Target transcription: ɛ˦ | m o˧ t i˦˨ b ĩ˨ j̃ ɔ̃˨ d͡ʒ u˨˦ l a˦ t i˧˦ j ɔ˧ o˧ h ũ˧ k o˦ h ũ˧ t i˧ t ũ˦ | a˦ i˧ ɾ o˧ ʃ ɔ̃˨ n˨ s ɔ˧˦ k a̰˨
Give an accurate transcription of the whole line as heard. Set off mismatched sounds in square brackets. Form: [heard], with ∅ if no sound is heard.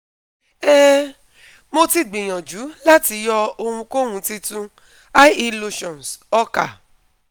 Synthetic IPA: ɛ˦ | m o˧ t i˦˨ [ɡ͡b] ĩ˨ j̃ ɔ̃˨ d͡ʒ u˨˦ l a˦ t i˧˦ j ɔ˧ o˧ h ũ˧ k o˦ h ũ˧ t i˧ t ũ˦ | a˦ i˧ [l] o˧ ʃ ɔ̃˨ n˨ s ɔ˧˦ k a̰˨